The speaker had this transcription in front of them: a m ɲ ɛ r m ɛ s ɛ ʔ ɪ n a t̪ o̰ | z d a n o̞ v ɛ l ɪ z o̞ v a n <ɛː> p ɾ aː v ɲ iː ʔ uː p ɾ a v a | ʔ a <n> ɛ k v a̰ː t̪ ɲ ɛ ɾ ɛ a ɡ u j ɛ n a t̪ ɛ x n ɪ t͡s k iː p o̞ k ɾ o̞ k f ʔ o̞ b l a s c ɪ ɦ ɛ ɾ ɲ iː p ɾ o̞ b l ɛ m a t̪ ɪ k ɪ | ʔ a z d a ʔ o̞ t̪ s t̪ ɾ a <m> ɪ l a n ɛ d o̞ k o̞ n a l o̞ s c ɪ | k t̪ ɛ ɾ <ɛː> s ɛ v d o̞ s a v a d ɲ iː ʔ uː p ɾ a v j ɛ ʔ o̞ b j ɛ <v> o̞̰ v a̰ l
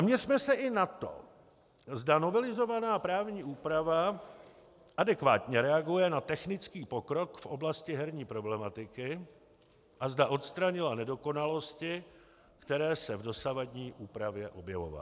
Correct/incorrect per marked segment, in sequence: incorrect, incorrect, incorrect, correct, correct

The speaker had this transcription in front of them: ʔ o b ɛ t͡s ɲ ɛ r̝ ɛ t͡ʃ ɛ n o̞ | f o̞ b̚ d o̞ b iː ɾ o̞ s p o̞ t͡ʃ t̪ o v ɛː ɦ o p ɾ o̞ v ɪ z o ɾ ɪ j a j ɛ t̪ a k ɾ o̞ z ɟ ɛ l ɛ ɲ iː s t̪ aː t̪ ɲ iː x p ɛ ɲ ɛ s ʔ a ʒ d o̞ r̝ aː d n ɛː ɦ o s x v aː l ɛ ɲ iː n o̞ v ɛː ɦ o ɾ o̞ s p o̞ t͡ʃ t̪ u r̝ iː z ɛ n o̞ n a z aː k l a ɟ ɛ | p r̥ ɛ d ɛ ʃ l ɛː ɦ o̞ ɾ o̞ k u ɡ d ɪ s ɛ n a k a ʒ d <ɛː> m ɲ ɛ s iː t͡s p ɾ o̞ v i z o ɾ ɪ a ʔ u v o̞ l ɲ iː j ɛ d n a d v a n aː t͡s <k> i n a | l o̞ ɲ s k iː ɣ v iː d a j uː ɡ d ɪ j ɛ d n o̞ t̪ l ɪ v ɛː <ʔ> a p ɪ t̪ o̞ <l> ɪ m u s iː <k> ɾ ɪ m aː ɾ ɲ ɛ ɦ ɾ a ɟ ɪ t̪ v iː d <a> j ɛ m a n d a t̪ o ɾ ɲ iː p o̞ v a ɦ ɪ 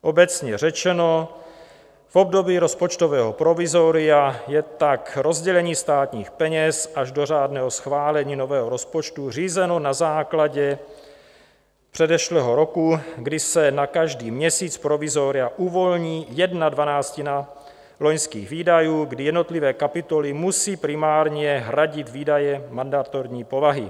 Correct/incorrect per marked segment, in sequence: incorrect, incorrect, incorrect, correct, incorrect, correct

